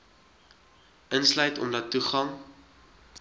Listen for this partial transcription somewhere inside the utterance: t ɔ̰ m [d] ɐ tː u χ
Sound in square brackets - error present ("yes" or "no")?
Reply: no